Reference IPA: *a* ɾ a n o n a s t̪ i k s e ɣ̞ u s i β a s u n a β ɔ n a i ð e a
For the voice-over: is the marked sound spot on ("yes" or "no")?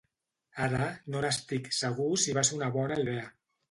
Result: yes